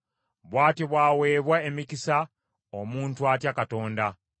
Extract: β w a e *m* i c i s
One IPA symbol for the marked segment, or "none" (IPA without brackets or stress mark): m